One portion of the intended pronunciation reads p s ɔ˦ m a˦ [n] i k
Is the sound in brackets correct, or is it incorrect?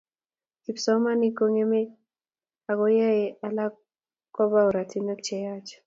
correct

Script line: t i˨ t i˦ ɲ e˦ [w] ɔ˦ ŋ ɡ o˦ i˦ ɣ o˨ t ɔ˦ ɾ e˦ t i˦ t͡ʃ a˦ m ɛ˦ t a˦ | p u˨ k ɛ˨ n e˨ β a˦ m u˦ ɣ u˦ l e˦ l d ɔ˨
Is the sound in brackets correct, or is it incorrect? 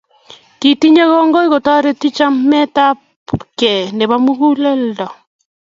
incorrect: ɣ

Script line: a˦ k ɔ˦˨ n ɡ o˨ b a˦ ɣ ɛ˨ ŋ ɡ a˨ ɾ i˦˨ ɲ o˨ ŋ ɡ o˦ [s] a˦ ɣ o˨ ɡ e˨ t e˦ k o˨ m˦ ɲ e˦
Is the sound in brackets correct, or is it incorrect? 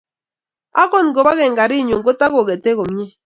incorrect: t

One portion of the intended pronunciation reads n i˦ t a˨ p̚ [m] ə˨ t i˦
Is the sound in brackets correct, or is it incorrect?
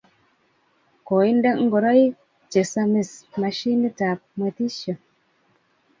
correct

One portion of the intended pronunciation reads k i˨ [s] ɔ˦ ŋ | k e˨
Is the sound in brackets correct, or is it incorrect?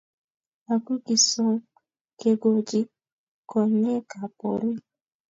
correct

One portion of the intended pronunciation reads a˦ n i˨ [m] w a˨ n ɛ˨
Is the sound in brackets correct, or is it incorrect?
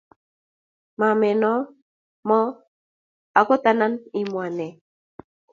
correct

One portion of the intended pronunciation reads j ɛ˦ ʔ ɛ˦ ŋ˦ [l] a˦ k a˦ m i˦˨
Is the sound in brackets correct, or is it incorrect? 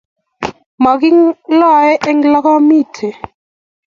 correct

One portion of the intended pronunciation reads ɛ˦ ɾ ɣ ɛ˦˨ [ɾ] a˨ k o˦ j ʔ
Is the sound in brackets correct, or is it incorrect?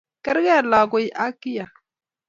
incorrect: l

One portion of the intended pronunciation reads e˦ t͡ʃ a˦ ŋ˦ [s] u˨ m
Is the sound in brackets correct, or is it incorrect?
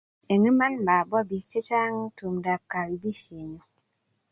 incorrect: t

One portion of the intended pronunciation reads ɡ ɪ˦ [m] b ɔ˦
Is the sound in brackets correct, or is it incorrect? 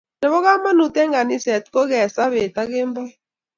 correct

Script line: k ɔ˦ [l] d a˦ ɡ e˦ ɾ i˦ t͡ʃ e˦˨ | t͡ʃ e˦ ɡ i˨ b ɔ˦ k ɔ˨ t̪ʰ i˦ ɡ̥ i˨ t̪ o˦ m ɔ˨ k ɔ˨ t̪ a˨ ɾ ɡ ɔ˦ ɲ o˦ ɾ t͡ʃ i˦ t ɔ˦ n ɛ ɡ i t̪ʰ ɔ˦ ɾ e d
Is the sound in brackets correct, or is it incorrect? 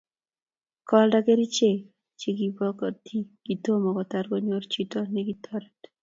correct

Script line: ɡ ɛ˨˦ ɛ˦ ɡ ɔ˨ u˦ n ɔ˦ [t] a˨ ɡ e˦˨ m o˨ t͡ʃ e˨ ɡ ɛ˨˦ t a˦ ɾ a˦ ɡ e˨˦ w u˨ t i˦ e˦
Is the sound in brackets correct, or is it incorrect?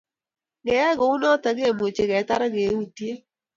correct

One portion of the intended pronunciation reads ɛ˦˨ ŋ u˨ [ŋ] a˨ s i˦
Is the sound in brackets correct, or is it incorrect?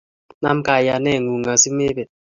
correct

